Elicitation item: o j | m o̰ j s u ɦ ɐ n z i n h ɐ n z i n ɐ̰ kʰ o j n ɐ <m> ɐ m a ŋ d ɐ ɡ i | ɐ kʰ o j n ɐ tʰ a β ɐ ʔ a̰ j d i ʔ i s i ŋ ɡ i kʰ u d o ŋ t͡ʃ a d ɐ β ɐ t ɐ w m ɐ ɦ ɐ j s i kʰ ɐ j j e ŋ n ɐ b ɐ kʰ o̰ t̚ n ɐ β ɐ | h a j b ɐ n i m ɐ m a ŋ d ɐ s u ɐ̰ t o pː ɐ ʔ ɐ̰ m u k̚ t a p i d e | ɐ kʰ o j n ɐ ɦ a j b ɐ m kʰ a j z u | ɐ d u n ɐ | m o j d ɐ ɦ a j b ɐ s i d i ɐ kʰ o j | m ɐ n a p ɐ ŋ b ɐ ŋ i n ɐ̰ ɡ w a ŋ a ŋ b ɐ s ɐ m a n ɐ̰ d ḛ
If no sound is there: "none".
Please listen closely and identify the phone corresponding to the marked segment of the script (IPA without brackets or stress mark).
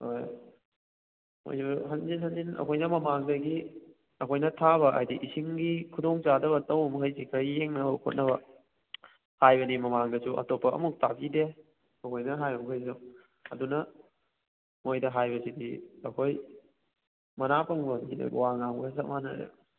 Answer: m